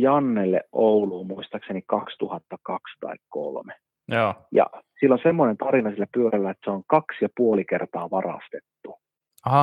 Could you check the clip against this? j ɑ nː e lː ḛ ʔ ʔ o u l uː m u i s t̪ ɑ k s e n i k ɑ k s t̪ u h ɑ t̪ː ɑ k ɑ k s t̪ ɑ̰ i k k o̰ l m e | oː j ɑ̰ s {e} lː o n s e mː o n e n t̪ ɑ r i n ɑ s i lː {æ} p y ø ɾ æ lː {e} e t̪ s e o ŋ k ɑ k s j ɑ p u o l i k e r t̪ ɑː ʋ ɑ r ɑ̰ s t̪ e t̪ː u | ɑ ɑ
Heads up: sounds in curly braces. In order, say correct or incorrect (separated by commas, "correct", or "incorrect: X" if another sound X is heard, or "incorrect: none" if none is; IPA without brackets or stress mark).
incorrect: i, correct, incorrect: æ